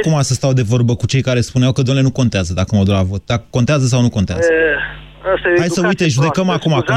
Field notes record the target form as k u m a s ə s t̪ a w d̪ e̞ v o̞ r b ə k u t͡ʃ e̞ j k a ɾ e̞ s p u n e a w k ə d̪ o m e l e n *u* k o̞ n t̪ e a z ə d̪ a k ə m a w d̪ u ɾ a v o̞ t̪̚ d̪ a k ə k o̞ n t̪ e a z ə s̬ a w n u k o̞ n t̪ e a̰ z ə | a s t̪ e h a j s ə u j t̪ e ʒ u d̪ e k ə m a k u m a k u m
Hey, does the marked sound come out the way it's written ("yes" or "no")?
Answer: yes